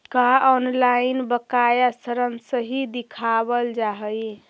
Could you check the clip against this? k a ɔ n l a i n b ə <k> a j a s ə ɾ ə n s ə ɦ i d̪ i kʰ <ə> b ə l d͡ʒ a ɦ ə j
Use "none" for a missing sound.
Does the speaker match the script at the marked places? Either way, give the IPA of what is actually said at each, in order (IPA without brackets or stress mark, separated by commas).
k, a